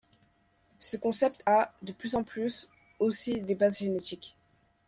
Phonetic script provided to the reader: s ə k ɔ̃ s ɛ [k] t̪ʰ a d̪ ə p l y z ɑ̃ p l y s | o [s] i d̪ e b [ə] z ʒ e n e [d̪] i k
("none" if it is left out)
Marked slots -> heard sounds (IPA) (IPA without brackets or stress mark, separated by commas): p, s, a, t̪